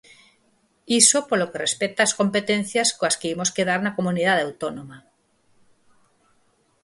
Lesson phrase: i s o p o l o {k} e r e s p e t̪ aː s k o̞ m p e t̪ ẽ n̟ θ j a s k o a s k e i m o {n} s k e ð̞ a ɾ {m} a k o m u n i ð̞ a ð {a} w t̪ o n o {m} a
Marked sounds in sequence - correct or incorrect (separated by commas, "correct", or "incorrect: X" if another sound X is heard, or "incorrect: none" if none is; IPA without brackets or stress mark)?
correct, incorrect: none, incorrect: n, correct, correct